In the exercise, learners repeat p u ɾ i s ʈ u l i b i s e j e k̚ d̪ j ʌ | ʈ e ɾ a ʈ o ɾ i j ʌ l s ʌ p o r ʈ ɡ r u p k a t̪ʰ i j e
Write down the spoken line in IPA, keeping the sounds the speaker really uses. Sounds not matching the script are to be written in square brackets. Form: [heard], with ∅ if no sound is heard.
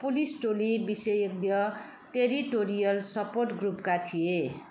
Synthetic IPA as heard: p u [l] i s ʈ [o] l i b i s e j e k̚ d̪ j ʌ | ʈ e ɾ [i] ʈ o ɾ i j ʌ l s ʌ p o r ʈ ɡ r u p k a t̪ʰ i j e